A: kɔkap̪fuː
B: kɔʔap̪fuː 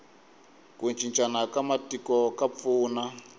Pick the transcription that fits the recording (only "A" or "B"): A